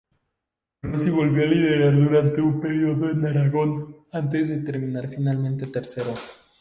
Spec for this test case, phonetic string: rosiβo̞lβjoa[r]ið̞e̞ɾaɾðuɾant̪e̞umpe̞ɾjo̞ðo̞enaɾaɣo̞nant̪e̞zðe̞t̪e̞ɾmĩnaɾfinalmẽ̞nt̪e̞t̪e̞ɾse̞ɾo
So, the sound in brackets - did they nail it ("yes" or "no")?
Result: no